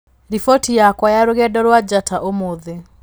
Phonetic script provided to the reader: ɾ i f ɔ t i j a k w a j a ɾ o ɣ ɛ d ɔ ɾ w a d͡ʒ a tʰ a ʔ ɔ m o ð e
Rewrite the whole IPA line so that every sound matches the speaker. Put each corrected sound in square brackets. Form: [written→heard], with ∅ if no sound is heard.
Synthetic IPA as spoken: ɾ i f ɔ t i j a k w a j a ɾ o ɣ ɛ d ɔ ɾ w a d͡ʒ a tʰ a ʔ [ɔ→o] m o ð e